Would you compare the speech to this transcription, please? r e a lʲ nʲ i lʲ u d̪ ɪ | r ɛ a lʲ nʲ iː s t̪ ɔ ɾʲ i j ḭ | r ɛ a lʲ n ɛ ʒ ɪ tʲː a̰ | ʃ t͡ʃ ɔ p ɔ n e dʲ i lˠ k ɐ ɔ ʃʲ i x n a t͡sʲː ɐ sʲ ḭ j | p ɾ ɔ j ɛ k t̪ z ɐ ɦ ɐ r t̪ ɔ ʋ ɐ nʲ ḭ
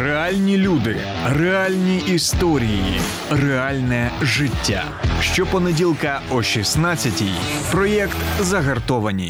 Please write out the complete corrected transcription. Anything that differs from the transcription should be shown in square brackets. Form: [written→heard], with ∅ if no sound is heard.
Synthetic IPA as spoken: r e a lʲ nʲ i lʲ u d̪ ɪ | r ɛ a lʲ nʲ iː s t̪ ɔ ɾʲ i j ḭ | r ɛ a lʲ n ɛ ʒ ɪ tʲː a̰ | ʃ t͡ʃ ɔ p ɔ n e dʲ i lˠ k ɐ ɔ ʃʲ i [x→s] n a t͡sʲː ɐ [sʲ→tʲ] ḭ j | p ɾ ɔ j ɛ k t̪ z ɐ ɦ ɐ r t̪ ɔ ʋ ɐ nʲ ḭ